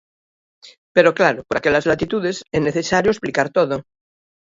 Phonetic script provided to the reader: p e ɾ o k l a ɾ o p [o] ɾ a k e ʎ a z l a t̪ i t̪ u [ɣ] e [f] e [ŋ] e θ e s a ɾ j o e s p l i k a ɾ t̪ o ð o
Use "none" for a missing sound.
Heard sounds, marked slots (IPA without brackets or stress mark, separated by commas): o, ð, s, n